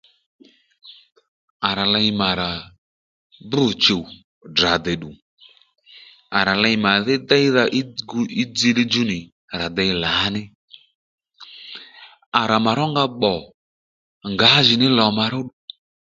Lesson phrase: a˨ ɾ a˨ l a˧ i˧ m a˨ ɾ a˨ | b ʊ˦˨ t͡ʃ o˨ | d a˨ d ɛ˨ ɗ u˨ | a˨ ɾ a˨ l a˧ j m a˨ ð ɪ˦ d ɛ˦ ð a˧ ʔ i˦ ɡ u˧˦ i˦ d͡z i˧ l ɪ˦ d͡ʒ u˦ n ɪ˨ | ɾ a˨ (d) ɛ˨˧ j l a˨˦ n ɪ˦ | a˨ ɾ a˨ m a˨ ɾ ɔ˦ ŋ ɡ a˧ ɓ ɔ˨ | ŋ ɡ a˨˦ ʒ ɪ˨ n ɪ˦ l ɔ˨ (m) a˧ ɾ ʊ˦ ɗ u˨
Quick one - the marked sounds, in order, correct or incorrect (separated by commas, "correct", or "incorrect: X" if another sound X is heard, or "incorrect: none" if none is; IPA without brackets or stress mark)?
correct, correct